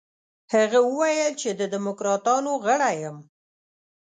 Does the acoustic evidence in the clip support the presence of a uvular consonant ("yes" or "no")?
no